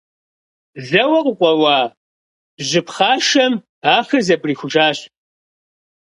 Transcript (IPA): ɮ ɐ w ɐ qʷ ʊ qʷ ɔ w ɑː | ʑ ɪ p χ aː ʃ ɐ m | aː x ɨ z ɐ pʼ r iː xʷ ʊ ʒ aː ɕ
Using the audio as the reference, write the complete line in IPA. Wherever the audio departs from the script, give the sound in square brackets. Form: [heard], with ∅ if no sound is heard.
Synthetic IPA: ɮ ɐ w ɐ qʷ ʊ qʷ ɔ w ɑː | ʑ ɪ p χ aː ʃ ɐ m | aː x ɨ z ɐ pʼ r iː xʷ ʊ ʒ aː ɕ